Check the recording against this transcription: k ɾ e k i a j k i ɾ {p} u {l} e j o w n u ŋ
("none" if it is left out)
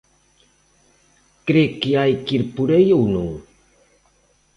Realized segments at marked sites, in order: p, ɾ

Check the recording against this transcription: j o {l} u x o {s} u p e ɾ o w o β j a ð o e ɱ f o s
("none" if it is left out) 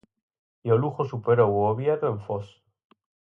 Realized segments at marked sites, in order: l, s

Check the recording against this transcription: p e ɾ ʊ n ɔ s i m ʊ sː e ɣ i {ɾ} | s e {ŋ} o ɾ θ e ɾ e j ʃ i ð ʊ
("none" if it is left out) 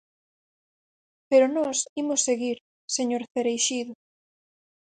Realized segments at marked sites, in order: ɾ, ɲ

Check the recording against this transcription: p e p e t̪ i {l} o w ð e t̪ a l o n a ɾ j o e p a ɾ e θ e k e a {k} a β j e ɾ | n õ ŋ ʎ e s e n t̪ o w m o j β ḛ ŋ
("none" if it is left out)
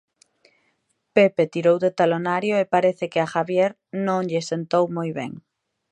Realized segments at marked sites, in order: ɾ, x

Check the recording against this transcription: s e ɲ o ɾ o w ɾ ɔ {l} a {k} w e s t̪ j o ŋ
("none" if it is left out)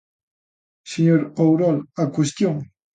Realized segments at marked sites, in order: l, k

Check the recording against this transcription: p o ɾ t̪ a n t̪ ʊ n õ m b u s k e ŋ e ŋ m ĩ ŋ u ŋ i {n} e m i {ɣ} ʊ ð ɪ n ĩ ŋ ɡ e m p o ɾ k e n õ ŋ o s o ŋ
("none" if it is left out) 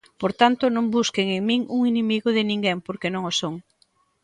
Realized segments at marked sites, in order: n, ɣ

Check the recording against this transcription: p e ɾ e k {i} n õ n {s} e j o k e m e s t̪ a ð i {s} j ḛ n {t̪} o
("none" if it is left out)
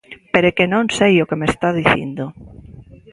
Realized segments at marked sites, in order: e, s, θ, d̪

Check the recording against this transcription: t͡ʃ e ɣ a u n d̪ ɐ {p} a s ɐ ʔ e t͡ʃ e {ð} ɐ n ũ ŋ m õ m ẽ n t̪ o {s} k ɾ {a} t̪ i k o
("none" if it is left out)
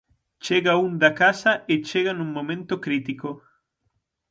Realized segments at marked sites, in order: k, ɣ, none, i

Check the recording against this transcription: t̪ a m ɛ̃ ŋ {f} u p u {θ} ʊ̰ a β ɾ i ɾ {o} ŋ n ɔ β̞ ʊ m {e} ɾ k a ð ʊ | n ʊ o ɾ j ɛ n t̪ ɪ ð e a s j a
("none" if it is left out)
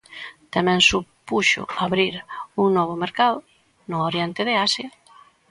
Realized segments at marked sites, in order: s, ʃ, u, e

